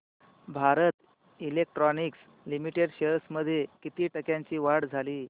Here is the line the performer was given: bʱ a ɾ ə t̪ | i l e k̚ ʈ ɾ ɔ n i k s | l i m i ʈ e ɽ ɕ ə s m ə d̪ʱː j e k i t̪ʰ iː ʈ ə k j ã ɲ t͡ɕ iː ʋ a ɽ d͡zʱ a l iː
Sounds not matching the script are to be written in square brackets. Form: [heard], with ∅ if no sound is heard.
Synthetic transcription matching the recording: bʱ a ɾ ə t̪ | i l e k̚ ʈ ɾ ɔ n i k s | l i m i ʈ e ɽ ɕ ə s m ə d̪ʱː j e k i [t̪] iː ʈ ə k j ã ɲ t͡ɕ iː ʋ a ɽ d͡zʱ a l iː

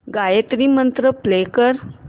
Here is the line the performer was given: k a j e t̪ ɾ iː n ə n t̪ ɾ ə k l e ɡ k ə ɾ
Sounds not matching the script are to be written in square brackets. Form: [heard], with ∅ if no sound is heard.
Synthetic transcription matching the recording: [ɡ] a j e t̪ ɾ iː [m] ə n t̪ ɾ ə [p] l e [∅] k ə ɾ

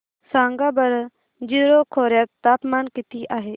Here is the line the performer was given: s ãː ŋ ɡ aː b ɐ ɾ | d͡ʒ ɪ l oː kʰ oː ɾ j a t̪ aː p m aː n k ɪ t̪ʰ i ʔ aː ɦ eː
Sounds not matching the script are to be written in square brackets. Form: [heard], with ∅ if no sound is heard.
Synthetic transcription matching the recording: s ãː ŋ ɡ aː b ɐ ɾ | d͡ʒ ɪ [ɾ] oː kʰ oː ɾ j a t̪ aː p m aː n k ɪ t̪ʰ i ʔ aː ɦ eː

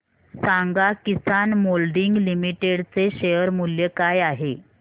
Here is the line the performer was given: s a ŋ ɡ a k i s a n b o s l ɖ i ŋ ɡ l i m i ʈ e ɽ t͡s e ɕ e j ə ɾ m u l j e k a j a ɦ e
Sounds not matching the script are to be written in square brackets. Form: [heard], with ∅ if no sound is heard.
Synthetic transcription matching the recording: s a ŋ ɡ a k i s a n [m] o [∅] l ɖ i ŋ ɡ l i m i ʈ e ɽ t͡s e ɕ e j ə ɾ m u l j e k a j a ɦ e

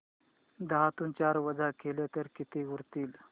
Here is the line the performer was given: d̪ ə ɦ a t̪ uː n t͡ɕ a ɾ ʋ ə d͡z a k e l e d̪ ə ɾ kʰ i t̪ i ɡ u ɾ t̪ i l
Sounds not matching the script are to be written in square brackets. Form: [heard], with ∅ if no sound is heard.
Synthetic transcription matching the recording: d̪ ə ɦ a t̪ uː n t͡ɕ a ɾ ʋ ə d͡z a k e l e [t̪] ə ɾ [k] i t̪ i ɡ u ɾ t̪ [iː] l

